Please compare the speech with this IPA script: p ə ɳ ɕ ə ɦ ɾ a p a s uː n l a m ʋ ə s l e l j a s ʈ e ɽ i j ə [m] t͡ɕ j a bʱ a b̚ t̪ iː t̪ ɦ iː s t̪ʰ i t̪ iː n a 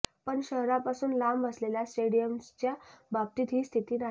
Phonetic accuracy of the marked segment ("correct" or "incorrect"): correct